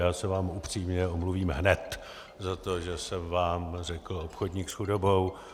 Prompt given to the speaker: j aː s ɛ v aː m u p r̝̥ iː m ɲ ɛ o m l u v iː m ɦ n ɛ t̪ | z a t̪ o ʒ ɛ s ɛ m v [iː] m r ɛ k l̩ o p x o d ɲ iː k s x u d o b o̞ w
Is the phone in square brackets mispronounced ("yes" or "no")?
yes